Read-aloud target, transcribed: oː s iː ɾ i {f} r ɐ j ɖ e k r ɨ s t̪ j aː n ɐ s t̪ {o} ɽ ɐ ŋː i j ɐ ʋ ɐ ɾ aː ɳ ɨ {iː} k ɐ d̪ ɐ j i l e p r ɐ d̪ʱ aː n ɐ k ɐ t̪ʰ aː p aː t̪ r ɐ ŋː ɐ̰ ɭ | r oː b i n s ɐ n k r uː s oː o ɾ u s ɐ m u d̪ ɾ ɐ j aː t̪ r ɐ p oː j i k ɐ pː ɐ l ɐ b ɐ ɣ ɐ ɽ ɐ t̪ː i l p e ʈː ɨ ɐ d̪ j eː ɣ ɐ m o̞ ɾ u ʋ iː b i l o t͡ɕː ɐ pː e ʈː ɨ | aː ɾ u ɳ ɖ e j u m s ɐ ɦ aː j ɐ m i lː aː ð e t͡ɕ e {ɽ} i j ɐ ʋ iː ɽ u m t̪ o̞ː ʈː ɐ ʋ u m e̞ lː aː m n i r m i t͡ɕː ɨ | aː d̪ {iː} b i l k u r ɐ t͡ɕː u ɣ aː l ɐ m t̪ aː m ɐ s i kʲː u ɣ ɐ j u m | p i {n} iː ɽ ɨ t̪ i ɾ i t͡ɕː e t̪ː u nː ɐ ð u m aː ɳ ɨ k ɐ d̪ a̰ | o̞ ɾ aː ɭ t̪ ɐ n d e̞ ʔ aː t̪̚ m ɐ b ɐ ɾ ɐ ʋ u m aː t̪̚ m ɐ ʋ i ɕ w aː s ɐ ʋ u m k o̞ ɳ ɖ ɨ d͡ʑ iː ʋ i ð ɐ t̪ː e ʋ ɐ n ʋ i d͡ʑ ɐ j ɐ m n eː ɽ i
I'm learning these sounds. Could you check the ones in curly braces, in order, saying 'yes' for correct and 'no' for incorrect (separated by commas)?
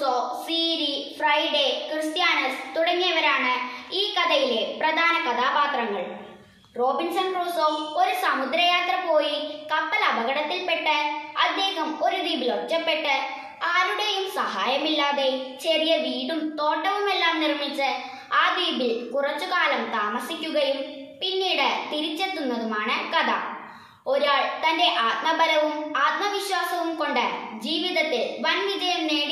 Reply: yes, no, yes, no, yes, no